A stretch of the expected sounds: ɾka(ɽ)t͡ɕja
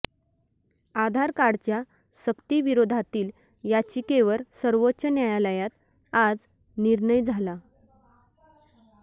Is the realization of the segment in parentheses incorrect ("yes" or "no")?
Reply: no